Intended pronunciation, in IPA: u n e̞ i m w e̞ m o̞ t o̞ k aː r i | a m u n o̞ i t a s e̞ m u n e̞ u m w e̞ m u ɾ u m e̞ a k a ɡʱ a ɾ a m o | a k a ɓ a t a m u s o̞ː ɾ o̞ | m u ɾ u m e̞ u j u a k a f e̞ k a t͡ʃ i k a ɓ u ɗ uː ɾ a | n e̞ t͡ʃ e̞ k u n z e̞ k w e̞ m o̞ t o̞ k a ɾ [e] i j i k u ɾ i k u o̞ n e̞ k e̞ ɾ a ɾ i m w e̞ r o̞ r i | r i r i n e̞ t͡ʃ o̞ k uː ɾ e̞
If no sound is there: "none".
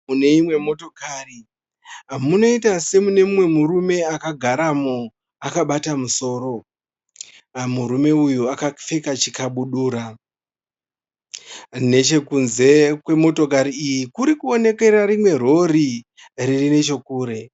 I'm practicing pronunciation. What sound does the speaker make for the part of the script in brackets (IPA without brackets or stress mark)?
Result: i